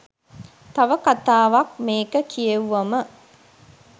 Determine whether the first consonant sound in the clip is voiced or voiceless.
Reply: voiceless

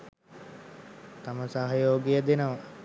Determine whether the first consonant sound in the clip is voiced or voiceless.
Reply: voiceless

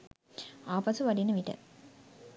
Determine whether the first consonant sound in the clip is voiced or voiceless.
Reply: voiceless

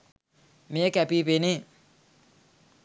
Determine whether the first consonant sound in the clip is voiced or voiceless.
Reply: voiced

